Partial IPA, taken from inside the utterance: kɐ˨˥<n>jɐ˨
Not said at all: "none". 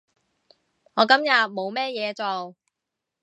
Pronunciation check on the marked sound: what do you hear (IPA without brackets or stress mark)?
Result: m